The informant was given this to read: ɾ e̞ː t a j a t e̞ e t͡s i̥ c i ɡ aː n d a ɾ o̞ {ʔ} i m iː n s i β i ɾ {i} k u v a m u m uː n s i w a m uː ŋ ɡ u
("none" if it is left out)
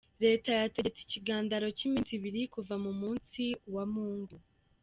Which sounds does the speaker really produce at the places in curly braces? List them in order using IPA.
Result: c, i

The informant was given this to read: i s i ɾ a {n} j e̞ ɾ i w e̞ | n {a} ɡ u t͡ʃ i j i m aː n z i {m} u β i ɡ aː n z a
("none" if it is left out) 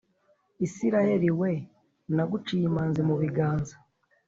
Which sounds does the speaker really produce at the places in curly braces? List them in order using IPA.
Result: none, a, m

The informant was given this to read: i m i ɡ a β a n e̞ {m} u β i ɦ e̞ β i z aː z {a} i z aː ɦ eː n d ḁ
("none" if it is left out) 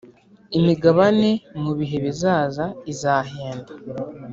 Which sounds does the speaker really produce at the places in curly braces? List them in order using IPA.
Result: m, a

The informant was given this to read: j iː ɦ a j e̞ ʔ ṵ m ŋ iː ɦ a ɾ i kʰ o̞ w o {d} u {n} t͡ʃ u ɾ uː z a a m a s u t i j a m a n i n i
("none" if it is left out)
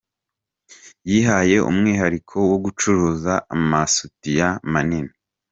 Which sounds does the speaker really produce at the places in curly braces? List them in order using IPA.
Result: ɡ, none

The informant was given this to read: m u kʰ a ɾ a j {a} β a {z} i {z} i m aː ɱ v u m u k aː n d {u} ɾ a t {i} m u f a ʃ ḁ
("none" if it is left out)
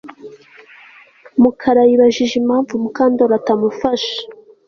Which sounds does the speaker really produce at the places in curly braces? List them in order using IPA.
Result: i, ʒ, ʒ, o, a

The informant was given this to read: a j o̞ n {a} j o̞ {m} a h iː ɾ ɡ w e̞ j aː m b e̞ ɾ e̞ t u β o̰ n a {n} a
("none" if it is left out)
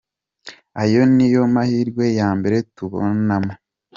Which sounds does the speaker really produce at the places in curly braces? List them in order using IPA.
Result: i, m, m

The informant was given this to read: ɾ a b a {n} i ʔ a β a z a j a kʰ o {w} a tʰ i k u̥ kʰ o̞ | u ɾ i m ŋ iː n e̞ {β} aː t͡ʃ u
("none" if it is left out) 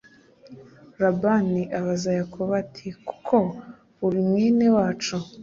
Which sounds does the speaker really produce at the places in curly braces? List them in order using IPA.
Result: n, β, w

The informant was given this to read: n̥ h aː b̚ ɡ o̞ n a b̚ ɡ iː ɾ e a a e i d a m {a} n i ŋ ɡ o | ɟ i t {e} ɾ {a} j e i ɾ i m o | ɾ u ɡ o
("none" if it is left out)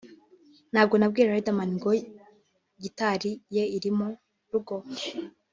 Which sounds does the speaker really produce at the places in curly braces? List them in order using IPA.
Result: a, a, i

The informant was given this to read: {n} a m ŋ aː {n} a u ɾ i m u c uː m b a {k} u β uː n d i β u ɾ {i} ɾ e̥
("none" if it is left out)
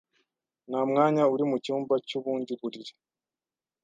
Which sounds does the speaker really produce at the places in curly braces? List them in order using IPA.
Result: n, ɲ, c, i

